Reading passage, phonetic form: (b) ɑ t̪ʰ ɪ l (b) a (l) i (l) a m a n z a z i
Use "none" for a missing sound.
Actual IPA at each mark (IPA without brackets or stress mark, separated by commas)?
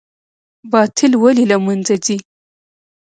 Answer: b, w, l, l